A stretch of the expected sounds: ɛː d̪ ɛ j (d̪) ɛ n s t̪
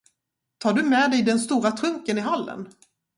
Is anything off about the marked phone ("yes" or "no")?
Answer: no